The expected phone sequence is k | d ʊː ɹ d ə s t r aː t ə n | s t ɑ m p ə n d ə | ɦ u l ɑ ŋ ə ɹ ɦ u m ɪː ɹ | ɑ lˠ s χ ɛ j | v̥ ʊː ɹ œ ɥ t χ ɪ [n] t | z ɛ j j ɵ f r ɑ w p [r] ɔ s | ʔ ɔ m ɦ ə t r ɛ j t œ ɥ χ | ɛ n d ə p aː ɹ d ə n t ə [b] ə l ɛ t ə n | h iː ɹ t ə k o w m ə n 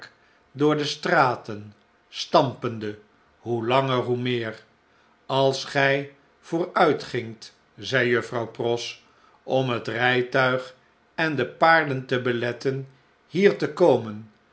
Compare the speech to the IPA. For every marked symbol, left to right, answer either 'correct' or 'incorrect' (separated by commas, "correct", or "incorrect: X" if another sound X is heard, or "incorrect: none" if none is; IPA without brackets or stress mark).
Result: incorrect: ŋ, correct, correct